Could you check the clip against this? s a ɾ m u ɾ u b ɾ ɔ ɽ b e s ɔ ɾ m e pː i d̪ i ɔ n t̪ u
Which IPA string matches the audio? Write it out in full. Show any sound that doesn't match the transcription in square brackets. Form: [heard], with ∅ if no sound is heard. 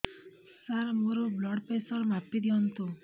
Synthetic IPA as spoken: s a ɾ m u ɾ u b [l] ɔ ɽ [p] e s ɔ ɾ m [a] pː i d̪ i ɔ n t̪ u

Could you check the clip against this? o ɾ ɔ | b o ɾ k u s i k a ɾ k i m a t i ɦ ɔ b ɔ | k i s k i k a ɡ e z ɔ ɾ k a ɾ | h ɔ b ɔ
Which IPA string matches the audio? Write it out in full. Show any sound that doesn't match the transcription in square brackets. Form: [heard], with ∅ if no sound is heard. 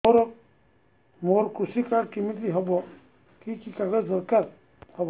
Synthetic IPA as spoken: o ɾ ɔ | [m] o ɾ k u s i k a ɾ k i m [i] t i ɦ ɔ b ɔ | k i [∅] k i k a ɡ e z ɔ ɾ k a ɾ | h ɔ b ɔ

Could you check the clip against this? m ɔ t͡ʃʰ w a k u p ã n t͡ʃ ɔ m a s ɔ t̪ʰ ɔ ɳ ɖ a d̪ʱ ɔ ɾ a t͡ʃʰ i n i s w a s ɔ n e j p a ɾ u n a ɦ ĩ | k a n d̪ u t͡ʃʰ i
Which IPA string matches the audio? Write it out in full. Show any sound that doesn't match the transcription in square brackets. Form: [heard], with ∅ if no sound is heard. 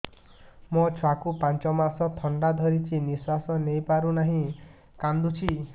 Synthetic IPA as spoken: m ɔ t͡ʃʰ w a k u p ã n t͡ʃ ɔ m a s ɔ t̪ʰ ɔ ɳ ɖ a d̪ʱ ɔ ɾ [i] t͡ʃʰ i n i s w a s ɔ n e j p a ɾ u n a ɦ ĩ | k a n d̪ u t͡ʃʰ i

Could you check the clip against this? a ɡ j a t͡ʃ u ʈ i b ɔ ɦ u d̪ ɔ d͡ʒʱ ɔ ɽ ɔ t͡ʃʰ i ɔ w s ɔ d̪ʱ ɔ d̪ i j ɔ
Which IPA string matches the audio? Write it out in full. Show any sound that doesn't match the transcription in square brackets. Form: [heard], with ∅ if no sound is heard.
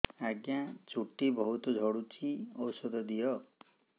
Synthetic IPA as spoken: a ɡ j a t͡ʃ u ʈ i b ɔ ɦ u [t̪] ɔ d͡ʒʱ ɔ ɽ [u] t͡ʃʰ i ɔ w s ɔ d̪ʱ ɔ d̪ i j ɔ

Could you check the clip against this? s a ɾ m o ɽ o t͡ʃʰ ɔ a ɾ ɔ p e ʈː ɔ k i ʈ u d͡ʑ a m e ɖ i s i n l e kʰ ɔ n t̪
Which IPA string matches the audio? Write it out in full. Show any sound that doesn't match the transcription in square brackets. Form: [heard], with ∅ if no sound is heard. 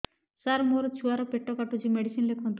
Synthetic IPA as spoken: s a ɾ m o [ɾ] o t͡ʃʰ [u] a ɾ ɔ p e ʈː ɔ k [a] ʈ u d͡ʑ [i] m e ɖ i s i n l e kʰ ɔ n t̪

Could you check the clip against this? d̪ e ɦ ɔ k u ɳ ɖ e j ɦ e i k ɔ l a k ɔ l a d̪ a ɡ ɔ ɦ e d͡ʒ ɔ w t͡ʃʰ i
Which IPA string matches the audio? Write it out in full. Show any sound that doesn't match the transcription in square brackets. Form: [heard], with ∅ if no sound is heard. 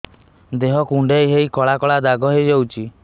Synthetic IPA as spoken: d̪ e ɦ ɔ k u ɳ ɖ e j ɦ e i k ɔ [ɭ] a k ɔ [ɭ] a d̪ a ɡ ɔ ɦ e d͡ʒ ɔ w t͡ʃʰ i

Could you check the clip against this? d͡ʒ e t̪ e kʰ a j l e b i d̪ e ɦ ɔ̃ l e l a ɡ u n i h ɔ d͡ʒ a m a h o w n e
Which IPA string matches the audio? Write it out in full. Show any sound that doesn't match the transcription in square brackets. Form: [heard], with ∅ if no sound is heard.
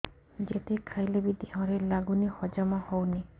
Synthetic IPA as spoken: d͡ʒ e t̪ e kʰ a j l e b i d̪ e ɦ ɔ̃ [ɾ] e l a ɡ u n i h ɔ d͡ʒ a m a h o w n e

